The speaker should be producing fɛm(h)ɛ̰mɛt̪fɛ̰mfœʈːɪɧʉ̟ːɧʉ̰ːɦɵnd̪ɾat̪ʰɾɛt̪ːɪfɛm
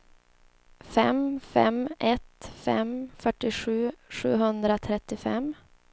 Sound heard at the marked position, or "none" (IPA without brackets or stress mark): f